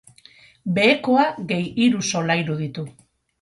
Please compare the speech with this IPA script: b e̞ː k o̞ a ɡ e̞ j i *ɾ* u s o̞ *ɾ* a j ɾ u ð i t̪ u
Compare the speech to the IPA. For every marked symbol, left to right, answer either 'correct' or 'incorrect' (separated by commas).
correct, incorrect